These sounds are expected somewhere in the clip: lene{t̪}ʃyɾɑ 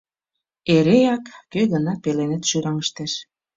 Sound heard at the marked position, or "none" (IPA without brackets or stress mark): t̪